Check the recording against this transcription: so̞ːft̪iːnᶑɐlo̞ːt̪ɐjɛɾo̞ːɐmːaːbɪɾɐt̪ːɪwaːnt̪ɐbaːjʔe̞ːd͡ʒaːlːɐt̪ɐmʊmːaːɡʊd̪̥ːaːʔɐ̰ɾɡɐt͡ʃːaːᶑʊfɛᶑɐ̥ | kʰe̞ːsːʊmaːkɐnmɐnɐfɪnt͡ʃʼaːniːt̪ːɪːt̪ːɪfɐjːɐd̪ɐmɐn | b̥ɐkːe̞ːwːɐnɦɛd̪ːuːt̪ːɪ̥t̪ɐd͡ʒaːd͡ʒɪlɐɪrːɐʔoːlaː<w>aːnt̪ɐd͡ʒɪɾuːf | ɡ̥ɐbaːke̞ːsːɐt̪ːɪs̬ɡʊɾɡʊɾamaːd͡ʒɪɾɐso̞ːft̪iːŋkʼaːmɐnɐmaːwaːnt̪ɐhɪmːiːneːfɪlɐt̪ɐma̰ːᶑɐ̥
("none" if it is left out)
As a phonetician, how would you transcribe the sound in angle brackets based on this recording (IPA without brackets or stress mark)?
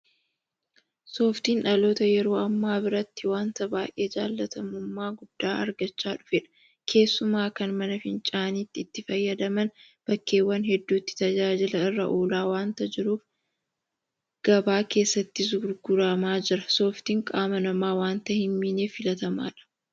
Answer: w